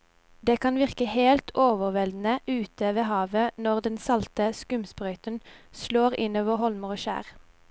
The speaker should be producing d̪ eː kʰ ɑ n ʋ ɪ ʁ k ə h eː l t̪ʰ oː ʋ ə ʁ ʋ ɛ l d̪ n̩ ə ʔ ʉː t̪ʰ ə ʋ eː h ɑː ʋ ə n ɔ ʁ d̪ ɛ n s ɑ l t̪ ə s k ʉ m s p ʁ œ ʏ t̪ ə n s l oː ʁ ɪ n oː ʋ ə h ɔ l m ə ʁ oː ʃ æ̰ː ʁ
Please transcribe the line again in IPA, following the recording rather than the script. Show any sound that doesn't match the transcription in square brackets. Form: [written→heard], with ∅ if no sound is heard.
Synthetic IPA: d̪ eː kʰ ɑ n ʋ ɪ ʁ k ə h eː l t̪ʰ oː ʋ ə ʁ ʋ ɛ l d̪ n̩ ə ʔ ʉː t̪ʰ ə ʋ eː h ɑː ʋ ə n ɔ ʁ d̪ ɛ n s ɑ l t̪ ə s k ʉ m s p ʁ œ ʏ t̪ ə n s l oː ʁ ɪ n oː ʋ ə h ɔ l m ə ʁ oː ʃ æ̰ː ʁ